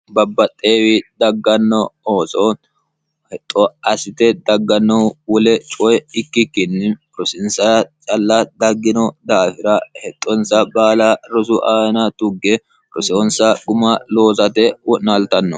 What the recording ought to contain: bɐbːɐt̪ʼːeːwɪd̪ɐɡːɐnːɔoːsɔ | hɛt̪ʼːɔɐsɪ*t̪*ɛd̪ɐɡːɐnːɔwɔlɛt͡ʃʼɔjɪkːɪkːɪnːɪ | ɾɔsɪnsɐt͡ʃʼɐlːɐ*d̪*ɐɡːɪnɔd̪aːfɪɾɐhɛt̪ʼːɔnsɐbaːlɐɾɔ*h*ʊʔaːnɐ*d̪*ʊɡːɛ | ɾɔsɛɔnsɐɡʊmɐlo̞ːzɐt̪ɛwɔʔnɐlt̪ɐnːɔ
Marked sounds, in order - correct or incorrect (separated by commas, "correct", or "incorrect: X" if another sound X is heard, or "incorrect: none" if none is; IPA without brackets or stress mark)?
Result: correct, correct, incorrect: s, incorrect: t̪